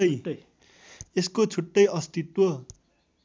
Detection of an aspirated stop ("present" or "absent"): present